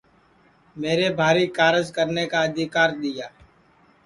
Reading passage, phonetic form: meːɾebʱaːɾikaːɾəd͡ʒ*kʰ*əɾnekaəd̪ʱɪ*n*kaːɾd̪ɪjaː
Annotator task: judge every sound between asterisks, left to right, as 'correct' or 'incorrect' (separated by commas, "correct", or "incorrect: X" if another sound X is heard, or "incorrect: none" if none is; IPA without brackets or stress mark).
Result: incorrect: k, incorrect: none